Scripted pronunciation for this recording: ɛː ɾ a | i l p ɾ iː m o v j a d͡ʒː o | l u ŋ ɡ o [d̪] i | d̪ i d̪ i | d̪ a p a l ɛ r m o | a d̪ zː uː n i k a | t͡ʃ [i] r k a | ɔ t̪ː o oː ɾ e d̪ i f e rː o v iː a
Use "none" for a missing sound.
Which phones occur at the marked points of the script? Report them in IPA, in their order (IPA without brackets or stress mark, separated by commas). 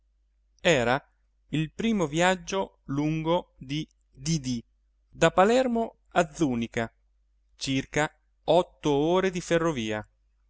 d̪, i